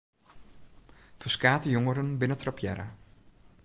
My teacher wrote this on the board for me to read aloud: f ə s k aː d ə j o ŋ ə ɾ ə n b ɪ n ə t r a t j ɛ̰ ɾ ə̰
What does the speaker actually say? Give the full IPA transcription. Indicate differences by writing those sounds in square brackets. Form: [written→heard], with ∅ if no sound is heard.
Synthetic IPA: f ə s k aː [d→t] ə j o ŋ ə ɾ ə n b ɪ n ə t r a [t→p] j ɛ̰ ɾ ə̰